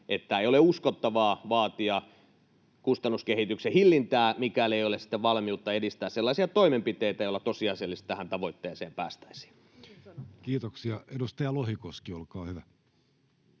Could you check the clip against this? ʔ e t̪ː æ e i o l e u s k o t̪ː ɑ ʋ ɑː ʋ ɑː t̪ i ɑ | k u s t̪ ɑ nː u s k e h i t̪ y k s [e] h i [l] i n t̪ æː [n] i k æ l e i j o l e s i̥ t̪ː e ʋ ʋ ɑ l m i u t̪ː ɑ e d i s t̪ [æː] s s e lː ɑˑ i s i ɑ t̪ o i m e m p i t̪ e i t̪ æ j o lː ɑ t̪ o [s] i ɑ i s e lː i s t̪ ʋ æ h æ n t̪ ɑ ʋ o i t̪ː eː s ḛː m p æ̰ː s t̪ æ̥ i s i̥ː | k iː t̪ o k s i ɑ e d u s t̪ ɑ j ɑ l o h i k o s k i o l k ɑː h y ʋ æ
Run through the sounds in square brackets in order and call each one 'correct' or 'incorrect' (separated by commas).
correct, incorrect, incorrect, correct, correct